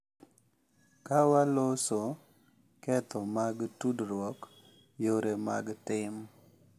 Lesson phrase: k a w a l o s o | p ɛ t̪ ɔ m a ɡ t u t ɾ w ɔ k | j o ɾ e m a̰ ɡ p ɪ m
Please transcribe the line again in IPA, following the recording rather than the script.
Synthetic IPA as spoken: k a w a l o s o | k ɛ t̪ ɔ m a ɡ t u d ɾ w ɔ k | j o ɾ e m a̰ ɡ t ɪ m